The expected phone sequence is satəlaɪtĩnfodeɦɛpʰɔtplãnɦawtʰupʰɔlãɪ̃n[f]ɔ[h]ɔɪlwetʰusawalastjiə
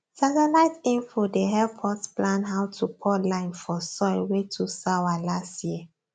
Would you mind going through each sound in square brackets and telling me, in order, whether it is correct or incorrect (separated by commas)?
correct, incorrect